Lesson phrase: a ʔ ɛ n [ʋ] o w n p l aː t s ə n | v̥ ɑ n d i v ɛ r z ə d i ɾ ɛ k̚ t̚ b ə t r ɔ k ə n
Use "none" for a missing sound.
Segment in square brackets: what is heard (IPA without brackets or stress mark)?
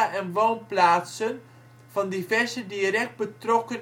ʋ